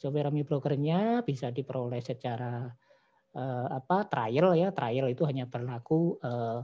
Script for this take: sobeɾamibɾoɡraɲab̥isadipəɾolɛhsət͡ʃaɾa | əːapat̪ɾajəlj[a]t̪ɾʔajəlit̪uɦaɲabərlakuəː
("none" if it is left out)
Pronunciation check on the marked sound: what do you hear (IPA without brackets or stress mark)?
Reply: a